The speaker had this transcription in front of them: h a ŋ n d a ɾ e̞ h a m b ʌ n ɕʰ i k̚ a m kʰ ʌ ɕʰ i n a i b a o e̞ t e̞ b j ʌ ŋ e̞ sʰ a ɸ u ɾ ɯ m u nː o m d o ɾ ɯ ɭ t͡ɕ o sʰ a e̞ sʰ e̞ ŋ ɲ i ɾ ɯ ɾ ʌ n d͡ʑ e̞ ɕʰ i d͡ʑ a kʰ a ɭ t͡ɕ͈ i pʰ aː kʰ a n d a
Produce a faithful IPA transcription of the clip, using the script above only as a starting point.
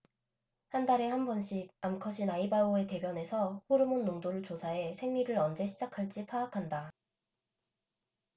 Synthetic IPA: h a n d a ɾ e̞ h a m b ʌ n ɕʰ i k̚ a m kʰ ʌ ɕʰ i n a i b a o e̞ t e̞ b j ʌ n e̞ sʰ ʌ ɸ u ɾ ɯ m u nː o ŋ d o ɾ ɯ ɭ t͡ɕ o sʰ a e̞ sʰ e̞ ŋ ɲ i ɾ ɯ ɾ ʌ n d͡ʑ e̞ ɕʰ i d͡ʑ a kʰ a ɭ t͡ɕ͈ i pʰ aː kʰ a n d a

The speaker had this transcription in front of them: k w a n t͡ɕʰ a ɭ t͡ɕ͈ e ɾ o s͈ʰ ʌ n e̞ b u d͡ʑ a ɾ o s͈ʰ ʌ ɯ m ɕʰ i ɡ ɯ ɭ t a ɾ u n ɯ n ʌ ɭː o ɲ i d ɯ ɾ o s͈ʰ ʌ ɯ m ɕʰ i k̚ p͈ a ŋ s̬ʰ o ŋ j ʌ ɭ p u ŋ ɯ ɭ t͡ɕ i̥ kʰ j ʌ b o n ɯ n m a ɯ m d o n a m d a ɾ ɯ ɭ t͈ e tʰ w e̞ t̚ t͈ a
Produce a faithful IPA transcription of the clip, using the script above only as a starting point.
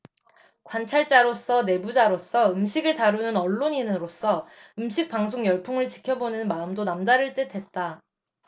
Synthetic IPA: k w a n t͡ɕʰ a ɭ t͡ɕ͈ a ɾ o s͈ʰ ʌ n e̞ b u d͡ʑ a ɾ o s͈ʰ ʌ ɯ m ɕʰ i ɡ ɯ ɭ t a ɾ u n ɯ n ʌ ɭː o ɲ i n ɯ ɾ o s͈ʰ ʌ ɯ m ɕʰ i k̚ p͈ a ŋ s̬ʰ o ŋ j ʌ ɭ pʰ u ŋ ɯ ɭ t͡ɕ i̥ kʰ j ʌ b o n ɯ n m a ɯ m d o n a m d a ɾ ɯ ɭ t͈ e tʰ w e̞ t̚ t͈ a

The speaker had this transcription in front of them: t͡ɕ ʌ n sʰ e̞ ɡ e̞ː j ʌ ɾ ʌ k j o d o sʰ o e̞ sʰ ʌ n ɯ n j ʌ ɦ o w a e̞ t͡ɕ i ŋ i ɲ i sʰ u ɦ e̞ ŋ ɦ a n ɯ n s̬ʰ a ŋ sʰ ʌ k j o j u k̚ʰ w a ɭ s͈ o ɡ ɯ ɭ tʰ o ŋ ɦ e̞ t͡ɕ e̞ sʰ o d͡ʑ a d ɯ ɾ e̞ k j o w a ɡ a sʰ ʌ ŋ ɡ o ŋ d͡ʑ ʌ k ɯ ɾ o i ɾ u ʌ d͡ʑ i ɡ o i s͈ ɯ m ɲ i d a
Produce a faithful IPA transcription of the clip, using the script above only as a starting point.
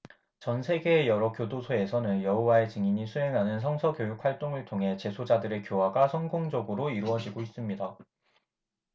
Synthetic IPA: t͡ɕ ʌ n sʰ e̞ ɡ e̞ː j ʌ ɾ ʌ k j o d o sʰ o e̞ sʰ ʌ n ɯ n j ʌ ɦ o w a e̞ t͡ɕ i ŋ i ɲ i sʰ u ɦ e̞ ŋ ɦ a n ɯ n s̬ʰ ʌ ŋ sʰ ʌ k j o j u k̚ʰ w a ɭ t͈ o ŋ ɯ ɭ tʰ o ŋ ɦ e̞ t͡ɕ e̞ sʰ o d͡ʑ a d ɯ ɾ e̞ k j o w a ɡ a sʰ ʌ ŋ ɡ o ŋ d͡ʑ ʌ ɡ ɯ ɾ o i ɾ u ʌ d͡ʑ i ɡ o i s͈ ɯ m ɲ i d a

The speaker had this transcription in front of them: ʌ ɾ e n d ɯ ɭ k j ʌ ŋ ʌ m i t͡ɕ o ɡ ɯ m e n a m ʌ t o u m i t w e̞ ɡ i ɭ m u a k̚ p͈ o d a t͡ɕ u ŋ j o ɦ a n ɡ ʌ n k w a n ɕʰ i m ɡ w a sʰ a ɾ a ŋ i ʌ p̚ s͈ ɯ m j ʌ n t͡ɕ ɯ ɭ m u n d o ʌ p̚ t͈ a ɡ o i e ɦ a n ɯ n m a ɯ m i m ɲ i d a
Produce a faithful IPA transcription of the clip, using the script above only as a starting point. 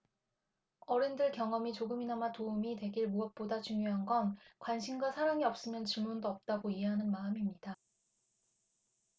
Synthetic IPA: ʌ ɾ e n d ɯ ɭ k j ʌ ŋ ʌ m i t͡ɕ o ɡ ɯ m i n a m a t o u m i t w e̞ ɡ i ɭ m u ʌ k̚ p͈ o d a t͡ɕ u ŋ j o ɦ a n ɡ ʌ n k w a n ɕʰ i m ɡ w a sʰ a ɾ a ŋ i ʌ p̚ s͈ ɯ m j ʌ n t͡ɕ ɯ ɭ m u n d o ʌ p̚ t͈ a ɡ o i e ɦ a n ɯ n m a ɯ m i m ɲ i d a

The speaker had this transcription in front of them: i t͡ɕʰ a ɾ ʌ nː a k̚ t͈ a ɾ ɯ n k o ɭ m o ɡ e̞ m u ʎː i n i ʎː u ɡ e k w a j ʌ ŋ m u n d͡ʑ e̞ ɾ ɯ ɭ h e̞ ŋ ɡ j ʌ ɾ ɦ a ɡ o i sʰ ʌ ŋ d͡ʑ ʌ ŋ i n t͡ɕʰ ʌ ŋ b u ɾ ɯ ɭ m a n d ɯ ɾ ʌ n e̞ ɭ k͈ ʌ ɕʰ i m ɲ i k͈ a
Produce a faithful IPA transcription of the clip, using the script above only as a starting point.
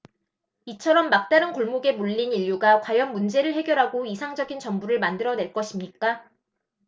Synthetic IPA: i t͡ɕʰ ʌ ɾ ʌ mː a k̚ t͈ a ɾ ɯ n k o ɭ m o ɡ e̞ m u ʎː i n i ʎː u ɡ a k w a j ʌ n m u n d͡ʑ e̞ ɾ ɯ ɭ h e̞ ɡ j ʌ ɾ ɦ a ɡ o i sʰ a ŋ d͡ʑ ʌ ɡ i n t͡ɕ ʌ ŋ b u ɾ ɯ ɭ m a n d ɯ ɾ ʌ n e̞ ɭ k͈ ʌ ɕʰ i m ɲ i k͈ a

